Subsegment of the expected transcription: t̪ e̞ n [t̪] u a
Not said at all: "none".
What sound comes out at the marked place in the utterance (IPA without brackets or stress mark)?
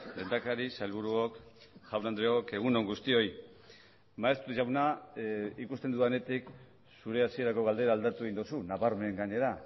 d̪